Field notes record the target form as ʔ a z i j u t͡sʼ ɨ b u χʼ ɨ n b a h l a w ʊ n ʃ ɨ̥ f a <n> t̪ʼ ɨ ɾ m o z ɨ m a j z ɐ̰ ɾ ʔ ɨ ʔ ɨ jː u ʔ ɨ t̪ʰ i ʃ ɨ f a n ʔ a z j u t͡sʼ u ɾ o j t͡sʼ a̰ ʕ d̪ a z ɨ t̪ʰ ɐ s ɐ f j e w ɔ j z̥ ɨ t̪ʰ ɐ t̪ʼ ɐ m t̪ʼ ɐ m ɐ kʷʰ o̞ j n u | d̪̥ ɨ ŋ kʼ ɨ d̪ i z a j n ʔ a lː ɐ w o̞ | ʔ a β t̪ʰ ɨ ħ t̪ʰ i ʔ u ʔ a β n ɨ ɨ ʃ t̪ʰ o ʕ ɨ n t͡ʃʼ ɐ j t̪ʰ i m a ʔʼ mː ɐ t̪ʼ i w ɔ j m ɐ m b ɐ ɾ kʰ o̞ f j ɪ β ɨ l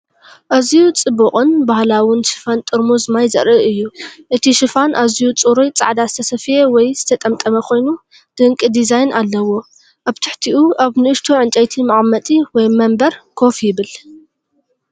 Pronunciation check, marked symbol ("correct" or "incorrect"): correct